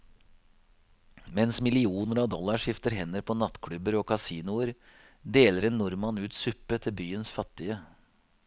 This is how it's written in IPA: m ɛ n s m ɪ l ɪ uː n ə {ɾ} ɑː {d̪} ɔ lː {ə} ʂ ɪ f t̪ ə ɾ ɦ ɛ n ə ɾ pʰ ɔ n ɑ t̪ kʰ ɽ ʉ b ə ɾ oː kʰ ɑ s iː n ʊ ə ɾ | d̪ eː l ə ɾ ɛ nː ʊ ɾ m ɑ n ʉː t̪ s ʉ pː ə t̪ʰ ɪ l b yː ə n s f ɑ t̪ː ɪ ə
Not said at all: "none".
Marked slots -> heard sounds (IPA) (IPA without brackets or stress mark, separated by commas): ɾ, d̪, ɑ